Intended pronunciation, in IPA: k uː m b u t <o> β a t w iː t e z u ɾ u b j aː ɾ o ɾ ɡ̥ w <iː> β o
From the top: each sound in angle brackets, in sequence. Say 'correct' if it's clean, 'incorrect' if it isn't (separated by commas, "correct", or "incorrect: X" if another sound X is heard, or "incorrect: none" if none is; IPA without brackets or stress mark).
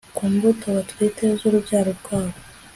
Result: correct, incorrect: aː